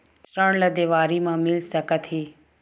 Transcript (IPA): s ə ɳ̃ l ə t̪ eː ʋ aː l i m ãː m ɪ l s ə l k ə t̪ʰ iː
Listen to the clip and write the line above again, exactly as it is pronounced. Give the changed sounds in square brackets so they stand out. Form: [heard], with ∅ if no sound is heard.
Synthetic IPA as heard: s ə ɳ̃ l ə [d̪] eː ʋ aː [ɾ] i m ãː m ɪ l s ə [∅] k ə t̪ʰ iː